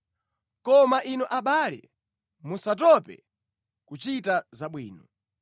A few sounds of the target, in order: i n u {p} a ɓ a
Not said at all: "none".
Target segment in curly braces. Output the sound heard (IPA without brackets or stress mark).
ʔ